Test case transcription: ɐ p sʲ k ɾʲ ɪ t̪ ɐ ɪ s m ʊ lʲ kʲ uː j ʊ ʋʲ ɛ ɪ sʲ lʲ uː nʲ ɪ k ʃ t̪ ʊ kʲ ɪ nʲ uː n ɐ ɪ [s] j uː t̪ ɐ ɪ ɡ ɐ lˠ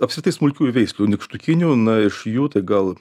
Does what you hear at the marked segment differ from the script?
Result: yes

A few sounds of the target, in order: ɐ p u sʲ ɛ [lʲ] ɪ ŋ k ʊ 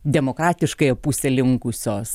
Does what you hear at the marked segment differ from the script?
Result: no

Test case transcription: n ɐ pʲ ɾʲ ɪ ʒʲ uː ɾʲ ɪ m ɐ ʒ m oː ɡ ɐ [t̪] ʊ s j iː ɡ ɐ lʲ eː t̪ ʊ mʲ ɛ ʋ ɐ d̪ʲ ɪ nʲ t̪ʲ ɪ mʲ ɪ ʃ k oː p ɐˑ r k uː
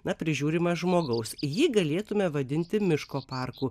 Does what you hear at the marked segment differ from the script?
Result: yes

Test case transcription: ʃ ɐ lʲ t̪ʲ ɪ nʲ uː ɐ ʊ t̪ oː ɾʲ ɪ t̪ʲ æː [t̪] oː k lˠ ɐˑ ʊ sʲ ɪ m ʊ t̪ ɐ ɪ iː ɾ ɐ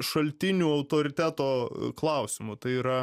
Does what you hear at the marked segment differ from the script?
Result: no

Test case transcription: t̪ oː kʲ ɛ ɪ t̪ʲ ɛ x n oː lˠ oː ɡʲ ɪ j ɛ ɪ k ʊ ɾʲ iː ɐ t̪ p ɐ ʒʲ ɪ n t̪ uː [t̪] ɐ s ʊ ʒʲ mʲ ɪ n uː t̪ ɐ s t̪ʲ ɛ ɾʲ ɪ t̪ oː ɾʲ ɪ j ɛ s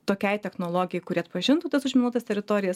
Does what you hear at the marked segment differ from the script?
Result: no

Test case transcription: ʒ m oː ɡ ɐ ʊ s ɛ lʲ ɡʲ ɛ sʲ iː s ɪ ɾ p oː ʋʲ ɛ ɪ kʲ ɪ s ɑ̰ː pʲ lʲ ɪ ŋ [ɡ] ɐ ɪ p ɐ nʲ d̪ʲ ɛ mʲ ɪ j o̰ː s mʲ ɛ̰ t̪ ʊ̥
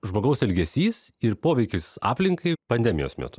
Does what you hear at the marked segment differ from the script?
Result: yes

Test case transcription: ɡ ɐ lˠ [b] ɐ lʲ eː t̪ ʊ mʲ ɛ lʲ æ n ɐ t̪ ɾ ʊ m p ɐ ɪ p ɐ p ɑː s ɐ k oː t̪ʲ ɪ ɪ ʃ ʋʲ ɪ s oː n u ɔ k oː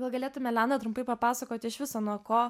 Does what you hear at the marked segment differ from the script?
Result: yes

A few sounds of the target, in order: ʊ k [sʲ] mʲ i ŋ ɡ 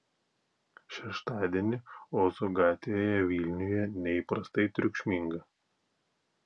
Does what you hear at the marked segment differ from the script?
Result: yes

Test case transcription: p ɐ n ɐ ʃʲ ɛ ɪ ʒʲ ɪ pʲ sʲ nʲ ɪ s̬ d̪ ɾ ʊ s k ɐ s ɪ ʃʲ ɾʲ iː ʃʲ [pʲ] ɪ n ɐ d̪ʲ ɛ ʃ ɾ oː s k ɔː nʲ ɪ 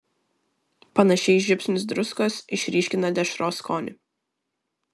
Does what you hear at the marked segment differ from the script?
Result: yes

